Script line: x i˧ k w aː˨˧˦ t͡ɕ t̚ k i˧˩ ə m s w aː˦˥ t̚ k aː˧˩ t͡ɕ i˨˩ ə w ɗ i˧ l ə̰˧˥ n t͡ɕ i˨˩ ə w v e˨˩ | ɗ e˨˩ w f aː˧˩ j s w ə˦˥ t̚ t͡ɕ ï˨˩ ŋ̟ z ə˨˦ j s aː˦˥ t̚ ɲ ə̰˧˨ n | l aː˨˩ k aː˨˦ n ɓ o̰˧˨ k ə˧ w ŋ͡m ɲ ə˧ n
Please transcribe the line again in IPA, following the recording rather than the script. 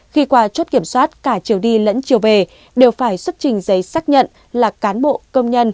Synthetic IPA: x i˧ k w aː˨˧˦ t͡ɕ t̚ k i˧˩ ə m s w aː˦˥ t̚ k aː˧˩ t͡ɕ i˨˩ ə w ɗ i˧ l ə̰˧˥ n t͡ɕ i˨˩ ə w v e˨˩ | ɗ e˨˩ w f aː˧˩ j s w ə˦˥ t̚ t͡ɕ ï˨˩ ŋ̟ z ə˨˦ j s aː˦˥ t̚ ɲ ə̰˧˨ n | l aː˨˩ k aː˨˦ n ɓ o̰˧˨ k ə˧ w ŋ͡m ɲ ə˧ n